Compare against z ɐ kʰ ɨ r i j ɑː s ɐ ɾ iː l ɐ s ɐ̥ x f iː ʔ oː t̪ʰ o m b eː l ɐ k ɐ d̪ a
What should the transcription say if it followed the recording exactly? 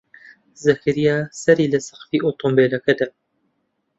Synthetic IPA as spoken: z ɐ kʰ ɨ ɾ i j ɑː s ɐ ɾ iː l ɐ s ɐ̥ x f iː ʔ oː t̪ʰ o m b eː l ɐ k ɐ d̪ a